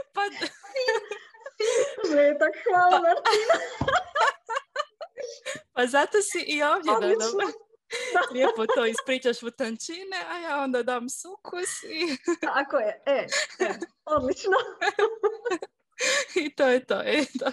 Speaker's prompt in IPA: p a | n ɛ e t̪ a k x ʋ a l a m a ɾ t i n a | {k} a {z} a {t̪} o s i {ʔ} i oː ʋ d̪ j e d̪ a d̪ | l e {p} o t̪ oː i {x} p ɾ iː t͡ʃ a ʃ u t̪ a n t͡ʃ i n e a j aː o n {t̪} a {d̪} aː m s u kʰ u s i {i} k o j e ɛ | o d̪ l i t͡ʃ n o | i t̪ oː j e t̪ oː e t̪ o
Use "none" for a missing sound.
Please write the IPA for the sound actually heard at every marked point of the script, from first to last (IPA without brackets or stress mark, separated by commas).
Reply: p, z, t̪, ʔ, p, s, d̪, d̪, a